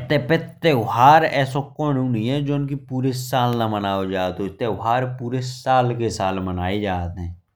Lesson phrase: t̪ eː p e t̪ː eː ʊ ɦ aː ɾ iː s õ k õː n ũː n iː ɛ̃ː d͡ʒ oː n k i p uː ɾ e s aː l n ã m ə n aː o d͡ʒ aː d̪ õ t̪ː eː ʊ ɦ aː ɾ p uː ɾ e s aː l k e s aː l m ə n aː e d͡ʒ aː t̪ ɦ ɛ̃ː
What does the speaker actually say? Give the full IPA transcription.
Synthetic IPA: t̪ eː p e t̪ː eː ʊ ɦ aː ɾ ɛː s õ k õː n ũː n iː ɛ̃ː d͡ʒ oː n k i p uː ɾ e s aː l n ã m ə n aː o d͡ʒ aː t̪ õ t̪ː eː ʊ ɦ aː ɾ p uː ɾ e s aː l k e s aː l m ə n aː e d͡ʒ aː t̪ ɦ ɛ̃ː